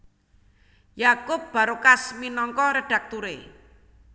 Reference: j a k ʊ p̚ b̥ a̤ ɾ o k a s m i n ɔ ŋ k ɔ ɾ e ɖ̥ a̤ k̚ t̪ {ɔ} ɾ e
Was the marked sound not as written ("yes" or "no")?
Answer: yes